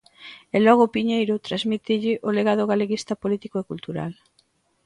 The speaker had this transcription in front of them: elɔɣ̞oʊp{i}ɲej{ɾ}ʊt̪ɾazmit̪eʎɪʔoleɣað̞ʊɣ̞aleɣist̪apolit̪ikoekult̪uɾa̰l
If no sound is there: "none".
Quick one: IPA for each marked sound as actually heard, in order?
i, ɾ

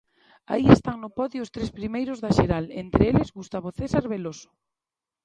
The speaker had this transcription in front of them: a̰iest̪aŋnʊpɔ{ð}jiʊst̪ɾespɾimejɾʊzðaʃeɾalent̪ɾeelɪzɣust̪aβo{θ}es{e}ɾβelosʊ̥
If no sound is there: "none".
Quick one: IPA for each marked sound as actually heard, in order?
ð, θ, a

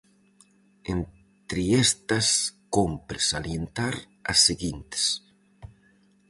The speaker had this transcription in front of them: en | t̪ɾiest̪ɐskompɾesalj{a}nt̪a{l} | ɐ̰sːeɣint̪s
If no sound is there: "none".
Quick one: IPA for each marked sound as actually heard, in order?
e, ɾ

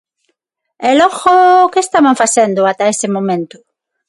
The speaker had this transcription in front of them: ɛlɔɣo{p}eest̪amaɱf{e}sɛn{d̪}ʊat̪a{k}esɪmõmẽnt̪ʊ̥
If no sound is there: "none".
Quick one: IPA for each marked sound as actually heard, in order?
k, a, d̪, none

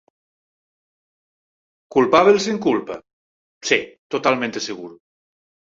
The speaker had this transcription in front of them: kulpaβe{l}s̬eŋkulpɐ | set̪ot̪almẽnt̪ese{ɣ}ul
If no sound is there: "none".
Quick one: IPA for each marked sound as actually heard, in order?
l, ɣ

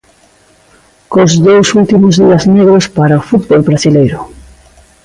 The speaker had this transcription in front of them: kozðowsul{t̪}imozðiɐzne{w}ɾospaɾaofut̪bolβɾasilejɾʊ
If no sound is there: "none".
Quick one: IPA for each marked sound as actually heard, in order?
t̪, ɣ

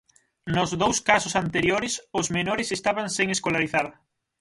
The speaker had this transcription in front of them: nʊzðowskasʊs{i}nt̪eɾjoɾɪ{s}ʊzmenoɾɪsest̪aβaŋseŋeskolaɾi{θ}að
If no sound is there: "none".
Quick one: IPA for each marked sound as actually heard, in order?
a, s, θ

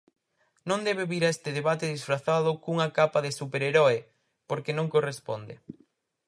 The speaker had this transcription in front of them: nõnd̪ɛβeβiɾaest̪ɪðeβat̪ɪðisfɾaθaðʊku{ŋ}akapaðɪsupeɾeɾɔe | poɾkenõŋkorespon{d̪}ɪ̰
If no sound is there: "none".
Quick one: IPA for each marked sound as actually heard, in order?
ŋ, d̪

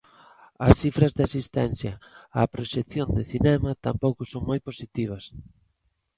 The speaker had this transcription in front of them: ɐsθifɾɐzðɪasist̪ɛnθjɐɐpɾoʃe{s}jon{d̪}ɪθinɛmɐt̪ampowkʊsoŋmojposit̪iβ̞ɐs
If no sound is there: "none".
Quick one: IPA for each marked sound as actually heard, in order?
θ, d̪

